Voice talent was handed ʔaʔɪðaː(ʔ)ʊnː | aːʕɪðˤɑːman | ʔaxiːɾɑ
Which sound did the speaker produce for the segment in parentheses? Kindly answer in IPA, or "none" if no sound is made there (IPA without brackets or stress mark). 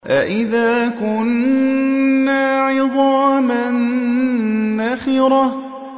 k